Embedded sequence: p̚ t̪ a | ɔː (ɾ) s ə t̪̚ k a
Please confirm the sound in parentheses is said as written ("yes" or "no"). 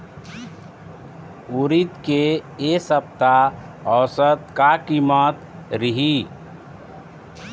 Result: no